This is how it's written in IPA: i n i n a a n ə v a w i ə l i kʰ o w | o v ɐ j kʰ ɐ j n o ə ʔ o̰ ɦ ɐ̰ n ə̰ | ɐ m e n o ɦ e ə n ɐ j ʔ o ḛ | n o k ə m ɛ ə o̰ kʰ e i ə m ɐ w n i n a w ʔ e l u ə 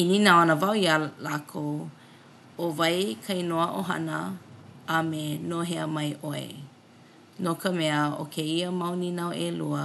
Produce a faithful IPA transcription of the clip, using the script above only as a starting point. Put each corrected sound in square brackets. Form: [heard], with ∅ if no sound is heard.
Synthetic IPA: i n i n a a n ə v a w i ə l [a] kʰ o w | o v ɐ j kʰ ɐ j n o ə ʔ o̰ ɦ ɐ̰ n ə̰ | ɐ m e n o ɦ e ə [m] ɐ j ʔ o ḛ | n o k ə m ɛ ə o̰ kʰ e i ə m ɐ w n i n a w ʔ e l u ə